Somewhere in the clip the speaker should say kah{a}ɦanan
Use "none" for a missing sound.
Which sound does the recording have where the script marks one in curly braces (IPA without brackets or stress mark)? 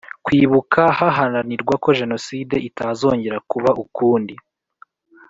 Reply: a